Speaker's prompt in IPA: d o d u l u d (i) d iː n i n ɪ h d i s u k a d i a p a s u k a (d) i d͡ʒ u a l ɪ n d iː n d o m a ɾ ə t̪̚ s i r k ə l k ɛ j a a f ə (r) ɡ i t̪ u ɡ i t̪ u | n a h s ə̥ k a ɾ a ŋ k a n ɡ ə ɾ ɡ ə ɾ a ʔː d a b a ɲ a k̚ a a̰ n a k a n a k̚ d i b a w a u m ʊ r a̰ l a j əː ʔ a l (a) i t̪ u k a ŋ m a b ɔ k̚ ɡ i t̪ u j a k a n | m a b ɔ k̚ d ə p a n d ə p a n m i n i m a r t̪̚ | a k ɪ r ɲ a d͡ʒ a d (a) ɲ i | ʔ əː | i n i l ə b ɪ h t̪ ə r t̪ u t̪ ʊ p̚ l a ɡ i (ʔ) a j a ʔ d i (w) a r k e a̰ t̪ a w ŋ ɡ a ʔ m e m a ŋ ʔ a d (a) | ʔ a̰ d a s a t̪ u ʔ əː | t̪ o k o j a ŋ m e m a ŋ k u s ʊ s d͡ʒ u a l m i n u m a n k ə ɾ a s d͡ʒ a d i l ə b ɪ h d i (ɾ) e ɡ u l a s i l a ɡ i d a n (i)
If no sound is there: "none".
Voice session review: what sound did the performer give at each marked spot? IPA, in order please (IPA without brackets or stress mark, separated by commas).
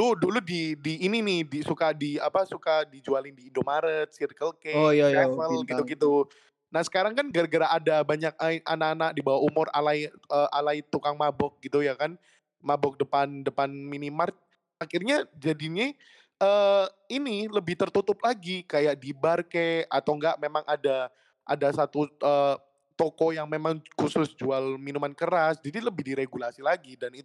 i, d, l, a, i, k, b, a, ɾ, i